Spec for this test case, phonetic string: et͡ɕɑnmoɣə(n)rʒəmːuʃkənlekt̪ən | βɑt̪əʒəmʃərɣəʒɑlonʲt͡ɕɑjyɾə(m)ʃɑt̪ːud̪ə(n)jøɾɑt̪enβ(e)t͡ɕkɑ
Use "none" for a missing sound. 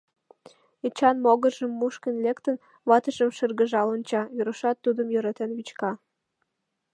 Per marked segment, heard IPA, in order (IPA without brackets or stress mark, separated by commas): none, none, m, i